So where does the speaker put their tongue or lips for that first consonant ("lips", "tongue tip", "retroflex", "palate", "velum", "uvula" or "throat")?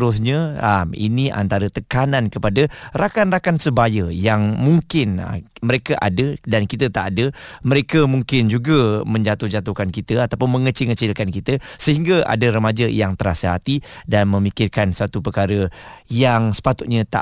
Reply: tongue tip